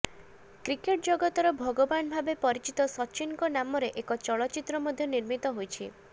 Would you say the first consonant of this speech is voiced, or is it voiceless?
voiceless